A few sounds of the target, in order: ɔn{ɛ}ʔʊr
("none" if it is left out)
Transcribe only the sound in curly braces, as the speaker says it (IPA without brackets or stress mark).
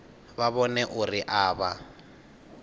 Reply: ɛ